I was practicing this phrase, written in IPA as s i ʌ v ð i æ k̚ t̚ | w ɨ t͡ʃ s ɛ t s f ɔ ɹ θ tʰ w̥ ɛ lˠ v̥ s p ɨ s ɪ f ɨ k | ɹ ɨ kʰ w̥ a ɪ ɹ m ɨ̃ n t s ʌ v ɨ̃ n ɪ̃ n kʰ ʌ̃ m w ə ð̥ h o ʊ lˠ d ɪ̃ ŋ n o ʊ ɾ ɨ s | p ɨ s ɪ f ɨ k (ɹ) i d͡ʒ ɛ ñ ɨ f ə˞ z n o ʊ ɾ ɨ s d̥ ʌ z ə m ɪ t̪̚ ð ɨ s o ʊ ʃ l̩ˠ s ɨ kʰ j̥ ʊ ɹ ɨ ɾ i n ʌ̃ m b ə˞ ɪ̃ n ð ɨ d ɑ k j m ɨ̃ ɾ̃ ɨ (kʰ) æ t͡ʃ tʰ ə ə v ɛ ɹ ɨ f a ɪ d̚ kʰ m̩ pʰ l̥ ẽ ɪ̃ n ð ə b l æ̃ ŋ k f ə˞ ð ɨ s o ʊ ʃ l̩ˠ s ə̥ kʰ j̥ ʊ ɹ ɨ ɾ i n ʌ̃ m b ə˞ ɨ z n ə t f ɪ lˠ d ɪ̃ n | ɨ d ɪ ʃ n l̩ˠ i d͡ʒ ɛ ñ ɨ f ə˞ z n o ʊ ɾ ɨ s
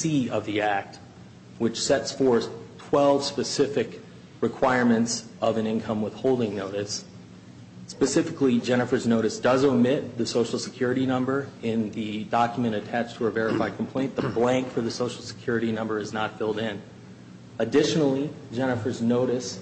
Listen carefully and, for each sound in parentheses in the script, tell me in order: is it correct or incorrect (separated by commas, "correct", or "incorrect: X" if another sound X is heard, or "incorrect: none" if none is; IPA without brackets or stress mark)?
incorrect: l, incorrect: tʰ